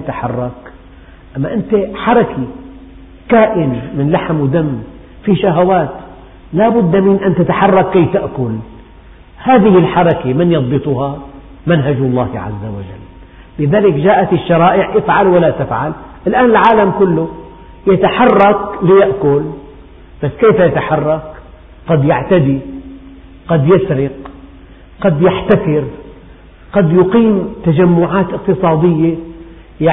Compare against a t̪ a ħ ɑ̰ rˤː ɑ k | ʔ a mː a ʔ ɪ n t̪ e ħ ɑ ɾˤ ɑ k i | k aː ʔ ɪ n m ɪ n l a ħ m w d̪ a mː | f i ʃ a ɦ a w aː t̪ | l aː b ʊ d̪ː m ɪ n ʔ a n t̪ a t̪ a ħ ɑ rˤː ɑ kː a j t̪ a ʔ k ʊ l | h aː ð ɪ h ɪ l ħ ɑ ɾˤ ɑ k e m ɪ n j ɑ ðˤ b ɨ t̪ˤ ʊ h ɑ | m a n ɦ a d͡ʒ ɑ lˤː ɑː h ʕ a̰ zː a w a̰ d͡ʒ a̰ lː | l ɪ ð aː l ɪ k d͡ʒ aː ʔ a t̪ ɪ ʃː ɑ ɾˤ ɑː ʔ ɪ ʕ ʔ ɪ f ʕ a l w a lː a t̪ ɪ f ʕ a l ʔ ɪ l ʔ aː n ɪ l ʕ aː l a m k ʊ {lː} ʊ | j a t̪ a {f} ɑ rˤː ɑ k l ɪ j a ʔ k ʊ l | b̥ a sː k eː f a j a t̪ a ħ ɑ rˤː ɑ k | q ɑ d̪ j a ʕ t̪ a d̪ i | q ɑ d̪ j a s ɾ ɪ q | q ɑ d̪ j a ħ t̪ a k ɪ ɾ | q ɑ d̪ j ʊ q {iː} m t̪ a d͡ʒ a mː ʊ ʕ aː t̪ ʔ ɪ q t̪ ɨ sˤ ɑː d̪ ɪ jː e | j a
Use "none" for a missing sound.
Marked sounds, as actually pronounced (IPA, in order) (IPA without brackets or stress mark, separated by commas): lː, ħ, iː